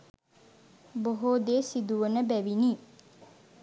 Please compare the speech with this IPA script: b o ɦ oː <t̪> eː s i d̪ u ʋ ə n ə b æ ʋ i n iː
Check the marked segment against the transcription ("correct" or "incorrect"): incorrect